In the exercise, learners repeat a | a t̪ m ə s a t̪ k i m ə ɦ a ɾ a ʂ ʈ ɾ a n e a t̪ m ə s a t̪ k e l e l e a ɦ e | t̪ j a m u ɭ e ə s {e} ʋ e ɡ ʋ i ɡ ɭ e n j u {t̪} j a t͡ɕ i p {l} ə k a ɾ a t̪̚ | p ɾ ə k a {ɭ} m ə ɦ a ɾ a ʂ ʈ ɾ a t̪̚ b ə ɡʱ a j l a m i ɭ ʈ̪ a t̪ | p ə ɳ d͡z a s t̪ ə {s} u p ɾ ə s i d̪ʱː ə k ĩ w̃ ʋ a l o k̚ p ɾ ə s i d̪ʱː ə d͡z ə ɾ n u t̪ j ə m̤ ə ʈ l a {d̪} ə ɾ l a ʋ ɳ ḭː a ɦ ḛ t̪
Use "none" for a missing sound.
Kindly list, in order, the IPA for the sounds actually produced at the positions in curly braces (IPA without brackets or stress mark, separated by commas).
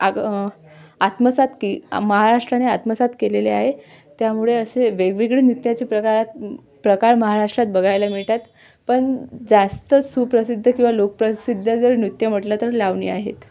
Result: e, t̪, ɾ, ɾ, s, t̪